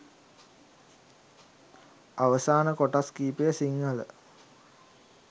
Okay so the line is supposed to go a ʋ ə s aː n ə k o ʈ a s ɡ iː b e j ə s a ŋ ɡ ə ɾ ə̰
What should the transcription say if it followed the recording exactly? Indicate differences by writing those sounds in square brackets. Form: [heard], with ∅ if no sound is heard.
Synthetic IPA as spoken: a ʋ ə s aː n ə k o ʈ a s [k] iː [p] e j ə s [i] ŋ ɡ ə [l] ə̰